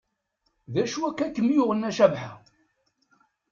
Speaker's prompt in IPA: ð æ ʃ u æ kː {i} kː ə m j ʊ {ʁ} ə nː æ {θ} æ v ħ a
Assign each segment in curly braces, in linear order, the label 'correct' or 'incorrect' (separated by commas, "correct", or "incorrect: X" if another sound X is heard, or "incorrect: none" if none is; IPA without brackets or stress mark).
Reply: incorrect: æ, correct, incorrect: ʃ